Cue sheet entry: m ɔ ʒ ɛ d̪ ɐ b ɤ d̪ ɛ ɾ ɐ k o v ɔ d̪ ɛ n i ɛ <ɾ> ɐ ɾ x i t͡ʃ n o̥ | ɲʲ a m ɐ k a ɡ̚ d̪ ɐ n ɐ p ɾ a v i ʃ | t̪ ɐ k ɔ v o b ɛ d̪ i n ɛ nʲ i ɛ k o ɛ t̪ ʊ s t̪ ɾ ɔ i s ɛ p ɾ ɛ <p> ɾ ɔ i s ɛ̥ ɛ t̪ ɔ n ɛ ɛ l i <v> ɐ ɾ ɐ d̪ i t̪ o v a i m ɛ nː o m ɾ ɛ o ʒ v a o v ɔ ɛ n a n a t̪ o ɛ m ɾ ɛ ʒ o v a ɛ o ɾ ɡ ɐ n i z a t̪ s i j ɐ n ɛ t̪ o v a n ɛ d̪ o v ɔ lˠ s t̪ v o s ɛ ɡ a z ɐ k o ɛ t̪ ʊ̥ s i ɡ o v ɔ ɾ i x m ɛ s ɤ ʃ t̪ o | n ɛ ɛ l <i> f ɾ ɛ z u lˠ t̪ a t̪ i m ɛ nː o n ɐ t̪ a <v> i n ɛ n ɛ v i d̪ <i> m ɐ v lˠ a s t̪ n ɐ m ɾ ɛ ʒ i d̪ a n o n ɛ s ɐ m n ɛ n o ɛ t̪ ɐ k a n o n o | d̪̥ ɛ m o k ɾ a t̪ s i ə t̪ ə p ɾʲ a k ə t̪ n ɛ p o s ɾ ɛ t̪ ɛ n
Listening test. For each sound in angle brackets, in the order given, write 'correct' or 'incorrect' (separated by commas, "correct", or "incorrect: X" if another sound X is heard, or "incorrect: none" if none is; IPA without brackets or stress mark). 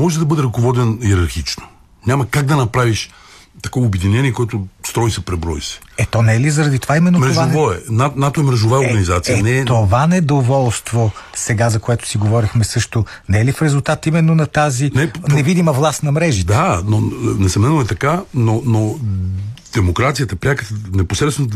correct, incorrect: b, incorrect: z, correct, incorrect: z, correct